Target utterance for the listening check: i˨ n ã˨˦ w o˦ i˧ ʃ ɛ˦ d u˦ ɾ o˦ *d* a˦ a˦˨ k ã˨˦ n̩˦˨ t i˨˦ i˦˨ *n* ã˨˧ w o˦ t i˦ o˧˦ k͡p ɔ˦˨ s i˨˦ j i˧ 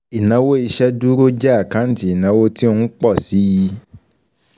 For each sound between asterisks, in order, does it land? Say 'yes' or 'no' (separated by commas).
no, yes